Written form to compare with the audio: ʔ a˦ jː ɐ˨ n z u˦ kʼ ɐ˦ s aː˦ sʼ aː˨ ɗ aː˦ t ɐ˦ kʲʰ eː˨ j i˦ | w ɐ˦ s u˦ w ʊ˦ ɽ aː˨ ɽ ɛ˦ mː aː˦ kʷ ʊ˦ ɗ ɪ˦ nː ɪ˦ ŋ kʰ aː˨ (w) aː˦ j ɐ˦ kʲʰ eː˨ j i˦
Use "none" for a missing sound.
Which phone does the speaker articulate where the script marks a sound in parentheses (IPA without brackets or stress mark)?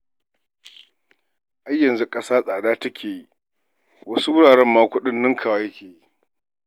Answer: w